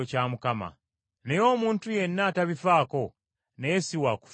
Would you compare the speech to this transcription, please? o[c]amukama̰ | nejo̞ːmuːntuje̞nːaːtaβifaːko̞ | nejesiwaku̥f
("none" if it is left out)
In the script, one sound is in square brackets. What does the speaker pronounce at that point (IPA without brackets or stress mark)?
c